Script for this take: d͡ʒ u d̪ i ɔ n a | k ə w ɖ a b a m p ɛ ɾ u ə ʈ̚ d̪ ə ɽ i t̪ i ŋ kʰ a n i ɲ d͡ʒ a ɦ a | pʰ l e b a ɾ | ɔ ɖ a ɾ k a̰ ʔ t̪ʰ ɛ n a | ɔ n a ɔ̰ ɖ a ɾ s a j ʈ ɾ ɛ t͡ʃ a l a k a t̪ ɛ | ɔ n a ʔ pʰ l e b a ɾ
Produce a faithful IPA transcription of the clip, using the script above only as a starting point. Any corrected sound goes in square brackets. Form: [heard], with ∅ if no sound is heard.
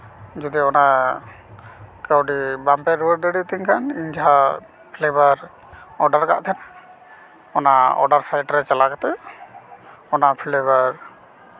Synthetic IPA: d͡ʒ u d̪ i ɔ n a | k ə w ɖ [i] b a m p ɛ ɾ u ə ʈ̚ d̪ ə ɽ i t̪ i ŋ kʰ a n i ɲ d͡ʒ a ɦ a | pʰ l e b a ɾ | ɔ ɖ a ɾ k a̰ ʔ t̪ʰ ɛ n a | ɔ n a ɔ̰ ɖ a ɾ s a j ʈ ɾ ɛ t͡ʃ a l a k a t̪ ɛ | ɔ n a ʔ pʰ l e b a ɾ